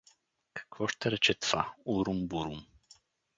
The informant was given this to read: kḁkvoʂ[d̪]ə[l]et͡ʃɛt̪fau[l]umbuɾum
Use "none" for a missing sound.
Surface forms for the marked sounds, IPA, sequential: t̪, ɾ, ɾ

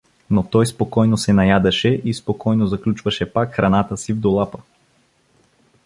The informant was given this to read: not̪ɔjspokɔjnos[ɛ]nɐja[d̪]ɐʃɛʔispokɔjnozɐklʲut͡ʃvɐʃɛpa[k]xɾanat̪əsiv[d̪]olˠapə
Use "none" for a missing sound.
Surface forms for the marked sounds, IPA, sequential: ɛ, d̪, k, d̪

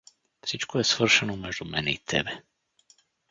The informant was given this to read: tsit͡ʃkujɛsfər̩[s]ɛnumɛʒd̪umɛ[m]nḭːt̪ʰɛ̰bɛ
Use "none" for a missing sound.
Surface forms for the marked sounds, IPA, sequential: ʃ, none

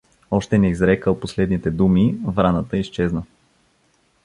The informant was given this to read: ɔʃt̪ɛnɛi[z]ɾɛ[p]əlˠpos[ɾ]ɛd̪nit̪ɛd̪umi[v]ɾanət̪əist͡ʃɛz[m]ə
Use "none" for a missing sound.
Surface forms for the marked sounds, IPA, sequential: z, k, l, v, n

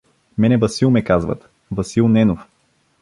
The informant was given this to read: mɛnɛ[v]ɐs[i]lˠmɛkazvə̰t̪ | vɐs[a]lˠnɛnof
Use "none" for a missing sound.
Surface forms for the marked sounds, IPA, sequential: v, i, i

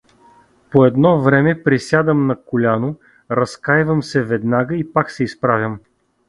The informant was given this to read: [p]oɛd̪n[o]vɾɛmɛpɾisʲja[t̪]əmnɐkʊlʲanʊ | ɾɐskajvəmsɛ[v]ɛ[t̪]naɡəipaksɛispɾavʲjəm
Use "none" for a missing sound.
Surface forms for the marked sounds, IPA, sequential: p, ɔ, d̪, v, d̪

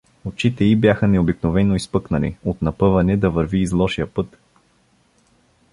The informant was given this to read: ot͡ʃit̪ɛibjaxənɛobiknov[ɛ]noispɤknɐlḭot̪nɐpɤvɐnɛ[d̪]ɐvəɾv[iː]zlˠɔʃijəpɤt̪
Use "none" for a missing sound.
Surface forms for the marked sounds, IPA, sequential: ɛ, d̪, iː

